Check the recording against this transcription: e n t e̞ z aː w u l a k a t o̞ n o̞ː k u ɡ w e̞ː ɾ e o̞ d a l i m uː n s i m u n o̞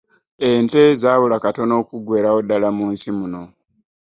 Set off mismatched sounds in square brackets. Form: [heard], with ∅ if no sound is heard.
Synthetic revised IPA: e n t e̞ z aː [β] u l a k a t o̞ n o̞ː k u ɡ w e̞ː ɾ [a] o̞ d a l [a] m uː n s i m u n o̞